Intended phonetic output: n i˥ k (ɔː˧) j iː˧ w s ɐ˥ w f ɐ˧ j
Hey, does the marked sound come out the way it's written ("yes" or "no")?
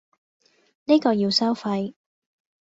yes